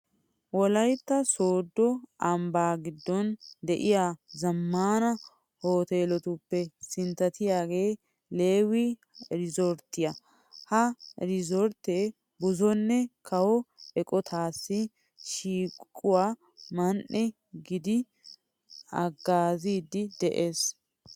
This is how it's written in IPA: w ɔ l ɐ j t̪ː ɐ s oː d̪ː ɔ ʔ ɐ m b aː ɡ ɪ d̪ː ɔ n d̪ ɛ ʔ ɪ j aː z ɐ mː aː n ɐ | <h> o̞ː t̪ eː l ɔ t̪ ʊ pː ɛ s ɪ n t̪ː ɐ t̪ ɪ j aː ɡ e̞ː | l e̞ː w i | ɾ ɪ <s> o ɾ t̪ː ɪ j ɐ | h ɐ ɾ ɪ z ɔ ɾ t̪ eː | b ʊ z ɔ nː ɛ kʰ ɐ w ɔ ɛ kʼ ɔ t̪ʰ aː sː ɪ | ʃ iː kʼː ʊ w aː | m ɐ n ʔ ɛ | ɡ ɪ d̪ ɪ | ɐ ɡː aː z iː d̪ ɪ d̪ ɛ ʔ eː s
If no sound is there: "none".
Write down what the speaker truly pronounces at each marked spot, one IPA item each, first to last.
h, z

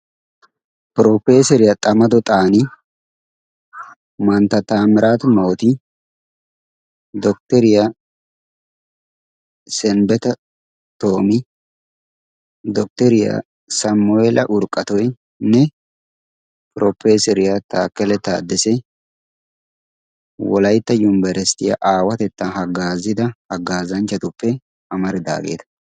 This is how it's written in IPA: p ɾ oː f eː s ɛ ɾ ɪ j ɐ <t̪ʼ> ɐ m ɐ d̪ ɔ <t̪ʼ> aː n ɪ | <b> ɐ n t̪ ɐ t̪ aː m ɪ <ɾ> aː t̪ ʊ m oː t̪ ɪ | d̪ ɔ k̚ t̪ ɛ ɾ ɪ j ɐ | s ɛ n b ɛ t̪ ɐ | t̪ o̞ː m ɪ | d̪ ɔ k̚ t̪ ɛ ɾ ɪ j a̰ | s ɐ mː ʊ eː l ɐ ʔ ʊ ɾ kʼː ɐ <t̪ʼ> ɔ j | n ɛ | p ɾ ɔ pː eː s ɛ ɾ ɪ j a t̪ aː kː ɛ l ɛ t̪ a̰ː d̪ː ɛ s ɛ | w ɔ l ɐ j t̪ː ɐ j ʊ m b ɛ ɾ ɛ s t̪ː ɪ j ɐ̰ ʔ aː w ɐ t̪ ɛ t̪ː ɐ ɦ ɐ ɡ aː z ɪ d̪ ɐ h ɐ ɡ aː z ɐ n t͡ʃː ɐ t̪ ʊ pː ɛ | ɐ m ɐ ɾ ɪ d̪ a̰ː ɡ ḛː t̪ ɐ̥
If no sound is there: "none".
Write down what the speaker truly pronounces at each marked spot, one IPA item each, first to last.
t̪ʼ, t̪ʼ, m, ɾ, t̪

